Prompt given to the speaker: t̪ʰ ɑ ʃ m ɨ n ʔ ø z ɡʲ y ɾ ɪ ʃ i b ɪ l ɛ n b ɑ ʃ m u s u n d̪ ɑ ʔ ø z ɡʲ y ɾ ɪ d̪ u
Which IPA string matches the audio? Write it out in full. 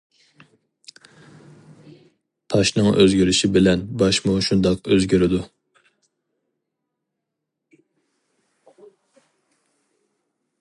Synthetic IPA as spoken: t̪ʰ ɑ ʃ n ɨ ŋ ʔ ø z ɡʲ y ɾ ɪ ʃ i b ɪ l ɛ n b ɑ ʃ m u ʃ u n d̪ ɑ q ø z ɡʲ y ɾ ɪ d̪ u